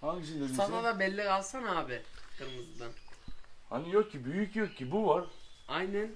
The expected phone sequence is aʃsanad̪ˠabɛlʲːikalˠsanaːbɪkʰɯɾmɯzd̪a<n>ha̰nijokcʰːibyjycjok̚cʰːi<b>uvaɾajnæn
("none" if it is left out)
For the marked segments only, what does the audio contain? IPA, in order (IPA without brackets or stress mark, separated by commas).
n, b